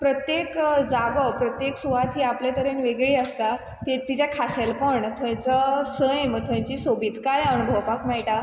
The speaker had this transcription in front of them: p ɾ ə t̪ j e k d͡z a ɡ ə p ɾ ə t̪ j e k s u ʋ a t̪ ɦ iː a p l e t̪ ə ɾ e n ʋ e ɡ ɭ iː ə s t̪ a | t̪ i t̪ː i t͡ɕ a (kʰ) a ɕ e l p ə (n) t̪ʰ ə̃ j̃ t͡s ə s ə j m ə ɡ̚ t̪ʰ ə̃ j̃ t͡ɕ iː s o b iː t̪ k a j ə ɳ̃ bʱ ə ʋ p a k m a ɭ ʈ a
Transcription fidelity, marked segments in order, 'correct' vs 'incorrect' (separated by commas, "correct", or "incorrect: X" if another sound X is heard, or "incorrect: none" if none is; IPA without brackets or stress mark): correct, incorrect: ɳ